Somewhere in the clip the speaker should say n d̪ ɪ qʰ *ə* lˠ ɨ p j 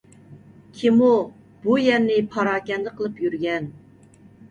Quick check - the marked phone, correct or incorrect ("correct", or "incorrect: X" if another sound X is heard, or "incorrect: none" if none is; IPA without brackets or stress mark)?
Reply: correct